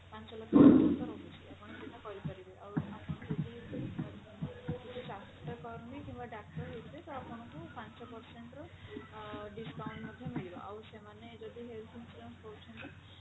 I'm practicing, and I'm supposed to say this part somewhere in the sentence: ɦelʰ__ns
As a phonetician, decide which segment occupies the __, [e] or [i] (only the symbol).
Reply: i